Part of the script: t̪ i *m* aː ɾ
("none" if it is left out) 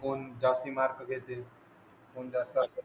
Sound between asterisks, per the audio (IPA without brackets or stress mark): m